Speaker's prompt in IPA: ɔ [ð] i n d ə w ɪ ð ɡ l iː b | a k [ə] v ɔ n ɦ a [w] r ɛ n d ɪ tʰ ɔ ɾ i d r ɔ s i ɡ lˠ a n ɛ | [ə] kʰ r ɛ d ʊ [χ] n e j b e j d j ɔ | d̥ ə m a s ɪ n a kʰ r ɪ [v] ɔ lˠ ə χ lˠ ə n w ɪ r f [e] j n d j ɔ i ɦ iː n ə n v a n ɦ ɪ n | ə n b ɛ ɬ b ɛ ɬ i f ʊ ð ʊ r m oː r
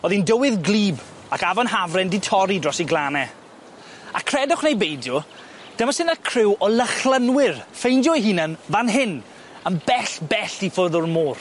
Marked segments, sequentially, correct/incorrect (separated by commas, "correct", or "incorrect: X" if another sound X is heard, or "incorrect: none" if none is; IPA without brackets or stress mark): correct, incorrect: a, incorrect: v, incorrect: a, correct, incorrect: w, correct